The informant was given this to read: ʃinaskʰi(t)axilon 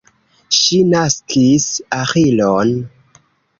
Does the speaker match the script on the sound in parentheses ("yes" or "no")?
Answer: no